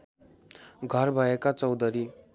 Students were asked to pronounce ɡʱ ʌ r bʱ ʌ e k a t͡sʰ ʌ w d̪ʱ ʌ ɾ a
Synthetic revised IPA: ɡʱ ʌ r bʱ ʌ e k a t͡s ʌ w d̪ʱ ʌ ɾ i